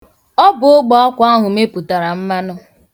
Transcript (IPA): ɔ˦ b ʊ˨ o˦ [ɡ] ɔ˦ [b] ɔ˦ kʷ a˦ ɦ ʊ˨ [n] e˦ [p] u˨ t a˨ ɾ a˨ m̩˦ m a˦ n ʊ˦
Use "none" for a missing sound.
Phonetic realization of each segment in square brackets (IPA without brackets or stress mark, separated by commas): ɡ͡b, none, m, p